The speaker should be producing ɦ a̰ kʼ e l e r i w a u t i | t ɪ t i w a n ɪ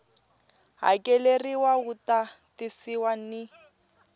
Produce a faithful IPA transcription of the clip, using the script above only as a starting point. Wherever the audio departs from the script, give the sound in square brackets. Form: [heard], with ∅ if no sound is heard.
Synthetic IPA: ɦ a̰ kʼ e l e r i w a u t [a] | t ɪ [s] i w a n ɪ